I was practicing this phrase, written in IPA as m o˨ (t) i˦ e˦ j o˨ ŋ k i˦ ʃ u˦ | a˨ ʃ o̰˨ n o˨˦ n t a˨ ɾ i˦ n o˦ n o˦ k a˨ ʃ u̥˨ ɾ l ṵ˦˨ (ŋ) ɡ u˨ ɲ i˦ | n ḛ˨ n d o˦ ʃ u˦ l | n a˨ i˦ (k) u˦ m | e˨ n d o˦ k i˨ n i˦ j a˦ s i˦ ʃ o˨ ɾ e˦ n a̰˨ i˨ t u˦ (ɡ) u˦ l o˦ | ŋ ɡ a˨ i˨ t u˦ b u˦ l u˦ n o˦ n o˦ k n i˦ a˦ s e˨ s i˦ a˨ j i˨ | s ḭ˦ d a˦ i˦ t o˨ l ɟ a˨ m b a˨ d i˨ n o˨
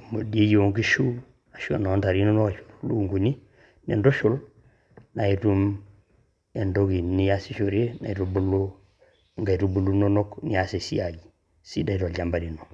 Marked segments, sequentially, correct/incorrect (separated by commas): incorrect, correct, incorrect, incorrect